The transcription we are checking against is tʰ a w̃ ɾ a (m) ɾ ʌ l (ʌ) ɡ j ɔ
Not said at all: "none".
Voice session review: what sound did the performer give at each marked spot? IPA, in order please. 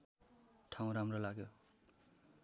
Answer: m, a

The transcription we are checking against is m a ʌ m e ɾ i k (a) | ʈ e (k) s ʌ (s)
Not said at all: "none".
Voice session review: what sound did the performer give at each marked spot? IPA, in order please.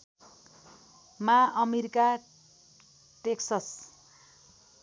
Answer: a, k, s

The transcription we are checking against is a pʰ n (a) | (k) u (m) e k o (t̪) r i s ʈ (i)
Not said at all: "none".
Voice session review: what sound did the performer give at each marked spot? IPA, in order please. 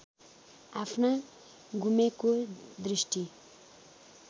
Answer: a, ɡ, m, d̪, i

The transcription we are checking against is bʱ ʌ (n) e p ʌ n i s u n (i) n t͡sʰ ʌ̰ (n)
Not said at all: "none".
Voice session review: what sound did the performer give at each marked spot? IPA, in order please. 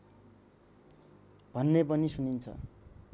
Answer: nː, i, none

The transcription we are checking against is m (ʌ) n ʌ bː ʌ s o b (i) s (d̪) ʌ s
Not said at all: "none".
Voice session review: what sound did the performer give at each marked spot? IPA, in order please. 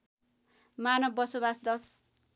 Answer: a, a, d̪

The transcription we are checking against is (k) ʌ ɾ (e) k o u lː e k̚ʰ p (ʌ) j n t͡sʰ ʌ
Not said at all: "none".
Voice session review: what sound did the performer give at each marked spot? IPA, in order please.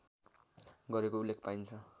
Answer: ɡ, e, a

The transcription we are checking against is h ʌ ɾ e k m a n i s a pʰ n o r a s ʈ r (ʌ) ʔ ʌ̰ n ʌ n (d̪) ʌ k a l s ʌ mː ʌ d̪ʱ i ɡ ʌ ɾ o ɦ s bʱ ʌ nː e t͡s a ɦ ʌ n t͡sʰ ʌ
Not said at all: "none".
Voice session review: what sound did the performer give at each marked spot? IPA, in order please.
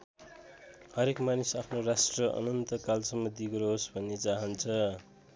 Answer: ʌ, t̪

